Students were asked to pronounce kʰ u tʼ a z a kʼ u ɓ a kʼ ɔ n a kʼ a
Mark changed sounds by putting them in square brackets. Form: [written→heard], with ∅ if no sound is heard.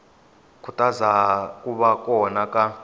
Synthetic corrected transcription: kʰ u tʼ a z a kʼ u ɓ a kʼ ɔ n a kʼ a